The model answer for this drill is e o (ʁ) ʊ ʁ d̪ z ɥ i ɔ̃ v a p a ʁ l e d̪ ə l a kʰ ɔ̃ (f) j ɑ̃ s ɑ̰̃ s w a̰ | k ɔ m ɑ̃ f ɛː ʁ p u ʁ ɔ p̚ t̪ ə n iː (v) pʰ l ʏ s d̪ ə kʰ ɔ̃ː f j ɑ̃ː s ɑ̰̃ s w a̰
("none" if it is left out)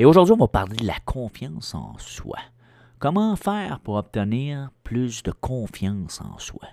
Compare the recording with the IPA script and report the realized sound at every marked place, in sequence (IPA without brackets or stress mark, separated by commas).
ʒ, f, ʁ